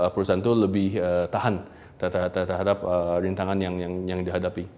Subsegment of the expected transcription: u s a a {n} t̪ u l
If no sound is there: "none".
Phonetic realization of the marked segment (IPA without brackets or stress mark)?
n